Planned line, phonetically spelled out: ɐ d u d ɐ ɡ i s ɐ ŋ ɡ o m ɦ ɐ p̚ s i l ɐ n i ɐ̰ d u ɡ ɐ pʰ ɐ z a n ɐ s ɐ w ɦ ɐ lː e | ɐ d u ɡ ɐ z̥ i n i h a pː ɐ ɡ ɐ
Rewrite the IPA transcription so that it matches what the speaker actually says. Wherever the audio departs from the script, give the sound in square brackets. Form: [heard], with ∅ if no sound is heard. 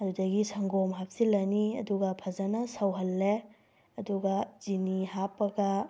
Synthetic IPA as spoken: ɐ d u d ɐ ɡ i s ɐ ŋ ɡ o m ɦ [a] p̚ s i l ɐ n i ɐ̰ d u ɡ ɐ pʰ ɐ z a n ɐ s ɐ w ɦ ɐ lː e | ɐ d u ɡ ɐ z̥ i n i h a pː ɐ ɡ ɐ